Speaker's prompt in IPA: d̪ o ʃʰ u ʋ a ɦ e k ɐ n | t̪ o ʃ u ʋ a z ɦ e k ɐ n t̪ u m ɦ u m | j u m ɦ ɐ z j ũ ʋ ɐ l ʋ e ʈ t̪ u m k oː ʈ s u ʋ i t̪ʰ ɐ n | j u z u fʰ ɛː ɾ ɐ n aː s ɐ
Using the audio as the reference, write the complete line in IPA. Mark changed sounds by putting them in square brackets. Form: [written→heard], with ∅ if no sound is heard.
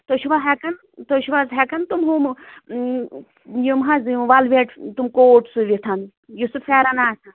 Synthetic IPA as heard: [d̪→t̪] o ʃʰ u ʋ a ɦ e k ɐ n | t̪ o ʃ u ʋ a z ɦ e k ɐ n t̪ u m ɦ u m | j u m ɦ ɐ z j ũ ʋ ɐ l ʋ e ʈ t̪ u m k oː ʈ s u ʋ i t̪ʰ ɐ n | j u [z→s] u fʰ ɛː ɾ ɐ n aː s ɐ